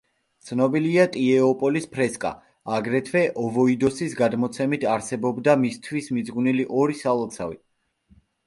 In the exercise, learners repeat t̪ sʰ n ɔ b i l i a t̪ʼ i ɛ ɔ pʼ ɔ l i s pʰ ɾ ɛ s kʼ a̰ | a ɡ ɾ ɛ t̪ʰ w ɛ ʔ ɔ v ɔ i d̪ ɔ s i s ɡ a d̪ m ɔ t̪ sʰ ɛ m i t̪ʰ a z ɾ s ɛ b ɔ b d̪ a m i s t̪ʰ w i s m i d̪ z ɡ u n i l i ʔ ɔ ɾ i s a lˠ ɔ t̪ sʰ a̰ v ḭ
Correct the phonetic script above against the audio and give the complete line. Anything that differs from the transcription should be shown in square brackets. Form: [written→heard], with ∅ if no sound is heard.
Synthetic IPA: t̪ sʰ n ɔ b i l i a t̪ʼ i ɛ ɔ pʼ ɔ l i s pʰ ɾ ɛ s kʼ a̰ | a ɡ ɾ ɛ t̪ʰ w ɛ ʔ ɔ v ɔ i d̪ ɔ s i s ɡ a d̪ m ɔ t̪ sʰ ɛ m i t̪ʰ a [z→∅] ɾ s ɛ b ɔ b d̪ a m i s t̪ʰ w i s m i d̪ z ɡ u n i l i ʔ ɔ ɾ i s a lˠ ɔ t̪ sʰ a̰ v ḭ

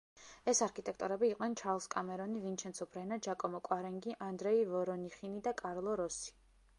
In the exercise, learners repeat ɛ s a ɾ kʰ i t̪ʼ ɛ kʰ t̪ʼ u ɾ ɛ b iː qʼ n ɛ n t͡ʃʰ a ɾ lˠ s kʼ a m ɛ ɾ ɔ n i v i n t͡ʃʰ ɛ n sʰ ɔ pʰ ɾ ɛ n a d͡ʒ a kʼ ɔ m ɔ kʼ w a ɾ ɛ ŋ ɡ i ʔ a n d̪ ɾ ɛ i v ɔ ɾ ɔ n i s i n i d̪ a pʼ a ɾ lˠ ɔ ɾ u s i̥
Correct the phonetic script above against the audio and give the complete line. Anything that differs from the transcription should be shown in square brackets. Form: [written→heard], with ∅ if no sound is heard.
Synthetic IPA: ɛ s a ɾ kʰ i t̪ʼ ɛ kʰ t̪ʼ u ɾ ɛ b iː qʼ n ɛ n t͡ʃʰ a ɾ lˠ s kʼ a m ɛ ɾ ɔ n i v i n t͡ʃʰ ɛ n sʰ ɔ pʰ ɾ ɛ n a d͡ʒ a kʼ ɔ m ɔ kʼ w a ɾ ɛ ŋ ɡ i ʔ a n d̪ ɾ ɛ i v ɔ ɾ ɔ n i [s→χ] i n i d̪ a [pʼ→kʼ] a ɾ lˠ ɔ ɾ [u→ɔ] s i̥

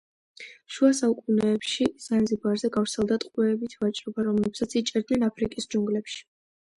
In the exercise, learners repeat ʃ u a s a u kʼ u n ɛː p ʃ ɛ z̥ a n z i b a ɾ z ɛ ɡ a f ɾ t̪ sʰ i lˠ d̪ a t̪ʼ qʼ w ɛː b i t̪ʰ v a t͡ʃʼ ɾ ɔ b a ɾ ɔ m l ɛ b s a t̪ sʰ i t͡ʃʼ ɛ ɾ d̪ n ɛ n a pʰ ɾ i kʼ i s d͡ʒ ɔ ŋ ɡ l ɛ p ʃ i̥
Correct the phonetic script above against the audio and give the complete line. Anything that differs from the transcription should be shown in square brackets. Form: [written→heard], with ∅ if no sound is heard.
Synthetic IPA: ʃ u a s a u kʼ u n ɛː p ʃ [ɛ→i] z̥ a n z i b a ɾ z ɛ ɡ a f ɾ t̪ sʰ [i→ɛ] lˠ d̪ a t̪ʼ qʼ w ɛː b i t̪ʰ v a t͡ʃʼ ɾ ɔ b a ɾ ɔ m l ɛ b s a t̪ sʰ i t͡ʃʼ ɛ ɾ d̪ n ɛ n a pʰ ɾ i kʼ i s d͡ʒ [ɔ→u] ŋ ɡ l ɛ p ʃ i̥

